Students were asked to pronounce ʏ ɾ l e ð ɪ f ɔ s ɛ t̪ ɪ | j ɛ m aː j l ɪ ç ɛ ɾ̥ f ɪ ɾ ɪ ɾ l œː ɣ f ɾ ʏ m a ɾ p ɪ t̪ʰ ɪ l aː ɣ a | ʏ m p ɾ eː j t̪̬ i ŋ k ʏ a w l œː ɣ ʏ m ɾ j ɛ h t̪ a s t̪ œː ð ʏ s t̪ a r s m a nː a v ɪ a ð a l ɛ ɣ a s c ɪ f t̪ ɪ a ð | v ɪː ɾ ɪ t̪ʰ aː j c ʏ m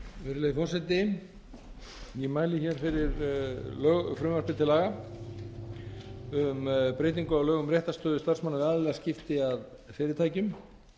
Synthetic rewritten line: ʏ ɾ l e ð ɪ f ɔ s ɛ t̪ ɪ | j ɛ m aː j l ɪ ç ɛ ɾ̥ f ɪ ɾ ɪ ɾ l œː ɣ f ɾ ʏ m a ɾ p ɪ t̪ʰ ɪ l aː ɣ a | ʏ m p ɾ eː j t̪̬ i ŋ k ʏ a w l œː ɣ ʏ m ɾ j ɛ h t̪ a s t̪ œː ð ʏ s t̪ a r s m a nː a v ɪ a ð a l ɛ ɣ a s c ɪ f t̪ ɪ a ð | f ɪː ɾ ɪ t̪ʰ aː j c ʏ m